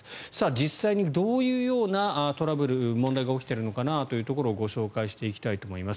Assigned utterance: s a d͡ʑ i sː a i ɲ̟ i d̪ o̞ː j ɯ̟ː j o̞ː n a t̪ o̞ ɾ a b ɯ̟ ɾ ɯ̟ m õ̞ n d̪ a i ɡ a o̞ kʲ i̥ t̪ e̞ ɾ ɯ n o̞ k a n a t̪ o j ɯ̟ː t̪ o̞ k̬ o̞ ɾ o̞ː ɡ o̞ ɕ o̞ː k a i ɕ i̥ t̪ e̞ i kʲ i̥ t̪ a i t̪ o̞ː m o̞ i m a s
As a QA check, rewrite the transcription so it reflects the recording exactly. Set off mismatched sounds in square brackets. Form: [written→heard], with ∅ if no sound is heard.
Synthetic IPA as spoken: s a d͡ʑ i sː a i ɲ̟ i d̪ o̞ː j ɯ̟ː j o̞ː n a t̪ o̞ ɾ a b ɯ̟ ɾ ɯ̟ m õ̞ n d̪ a i ɡ a o̞ kʲ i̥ t̪ e̞ ɾ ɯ n o̞ k a n a t̪ o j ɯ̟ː t̪ o̞ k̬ o̞ ɾ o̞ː ɡ o̞ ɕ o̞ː k a i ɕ i̥ t̪ e̞ i kʲ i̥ t̪ a i t̪ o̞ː m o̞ i m a s